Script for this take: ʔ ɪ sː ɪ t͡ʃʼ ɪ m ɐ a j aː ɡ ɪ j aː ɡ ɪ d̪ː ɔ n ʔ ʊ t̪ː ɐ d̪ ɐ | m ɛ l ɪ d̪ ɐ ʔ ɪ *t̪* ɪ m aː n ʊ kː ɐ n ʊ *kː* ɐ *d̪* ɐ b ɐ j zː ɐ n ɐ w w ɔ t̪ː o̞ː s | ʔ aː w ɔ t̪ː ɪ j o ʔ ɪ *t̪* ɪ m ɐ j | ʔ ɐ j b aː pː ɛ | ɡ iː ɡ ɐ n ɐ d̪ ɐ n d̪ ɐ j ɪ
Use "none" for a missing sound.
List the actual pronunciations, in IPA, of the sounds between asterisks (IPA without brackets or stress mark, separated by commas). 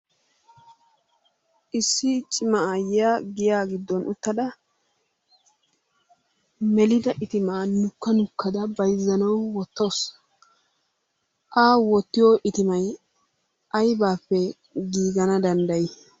t̪, kː, d̪, t̪